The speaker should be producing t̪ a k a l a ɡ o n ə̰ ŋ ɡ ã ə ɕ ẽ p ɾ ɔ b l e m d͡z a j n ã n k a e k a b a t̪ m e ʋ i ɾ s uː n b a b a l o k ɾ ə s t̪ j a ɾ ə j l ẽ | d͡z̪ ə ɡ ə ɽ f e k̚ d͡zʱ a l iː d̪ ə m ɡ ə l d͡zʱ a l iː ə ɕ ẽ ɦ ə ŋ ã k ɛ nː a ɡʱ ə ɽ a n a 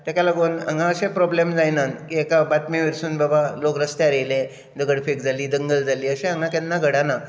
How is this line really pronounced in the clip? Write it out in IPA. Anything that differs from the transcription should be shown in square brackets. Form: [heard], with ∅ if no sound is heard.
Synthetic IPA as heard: t̪ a k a l a ɡ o n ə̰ ŋ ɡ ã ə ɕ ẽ p ɾ ɔ b l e m d͡z a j n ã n k [i] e k a b a t̪ m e ʋ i ɾ s uː n b a b a l o k ɾ ə s t̪ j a ɾ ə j l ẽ | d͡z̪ ə ɡ ə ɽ f e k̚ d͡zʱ a l iː d̪ ə [ŋ] ɡ ə l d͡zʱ a l iː ə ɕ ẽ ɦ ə ŋ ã k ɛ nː a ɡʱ ə ɽ a n a